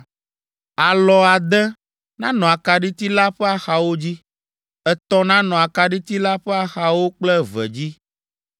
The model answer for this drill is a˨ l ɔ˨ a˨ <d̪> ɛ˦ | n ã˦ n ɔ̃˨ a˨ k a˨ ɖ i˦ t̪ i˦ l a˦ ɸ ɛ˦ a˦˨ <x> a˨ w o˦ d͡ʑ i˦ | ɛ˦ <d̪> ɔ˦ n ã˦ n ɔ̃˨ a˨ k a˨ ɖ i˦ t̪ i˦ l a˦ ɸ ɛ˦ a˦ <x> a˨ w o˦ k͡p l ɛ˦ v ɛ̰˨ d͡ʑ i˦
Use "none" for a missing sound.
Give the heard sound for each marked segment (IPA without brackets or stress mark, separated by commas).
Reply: d̪, x, t̪, x